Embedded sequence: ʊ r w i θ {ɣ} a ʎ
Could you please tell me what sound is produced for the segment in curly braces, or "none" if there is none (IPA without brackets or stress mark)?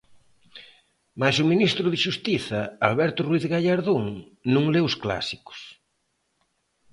ɣ